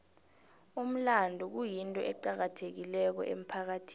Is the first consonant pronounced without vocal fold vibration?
no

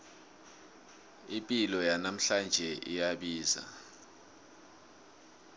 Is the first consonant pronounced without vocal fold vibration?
yes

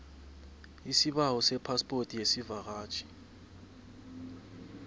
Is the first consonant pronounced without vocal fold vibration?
yes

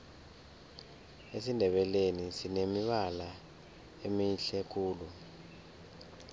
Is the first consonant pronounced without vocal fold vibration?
yes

